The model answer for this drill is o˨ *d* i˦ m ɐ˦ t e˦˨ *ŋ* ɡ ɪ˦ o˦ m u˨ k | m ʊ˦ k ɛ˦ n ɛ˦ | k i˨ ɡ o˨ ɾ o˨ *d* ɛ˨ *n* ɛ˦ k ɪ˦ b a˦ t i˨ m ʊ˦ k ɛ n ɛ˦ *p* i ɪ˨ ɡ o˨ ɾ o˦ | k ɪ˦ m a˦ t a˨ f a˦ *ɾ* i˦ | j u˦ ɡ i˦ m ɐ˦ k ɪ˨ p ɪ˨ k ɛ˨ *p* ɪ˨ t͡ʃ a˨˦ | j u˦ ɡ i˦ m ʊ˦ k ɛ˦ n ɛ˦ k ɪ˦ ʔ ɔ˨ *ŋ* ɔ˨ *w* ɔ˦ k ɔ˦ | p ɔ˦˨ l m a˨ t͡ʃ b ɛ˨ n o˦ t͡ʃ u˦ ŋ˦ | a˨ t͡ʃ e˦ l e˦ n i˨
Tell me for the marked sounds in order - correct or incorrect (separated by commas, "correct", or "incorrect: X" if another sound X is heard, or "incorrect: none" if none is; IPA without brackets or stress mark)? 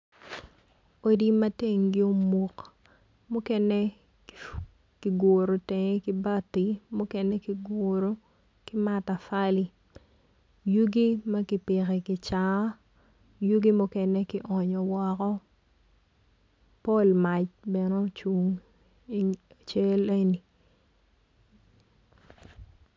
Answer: correct, correct, incorrect: t, incorrect: ŋ, incorrect: k, incorrect: l, incorrect: k, incorrect: ɲ, correct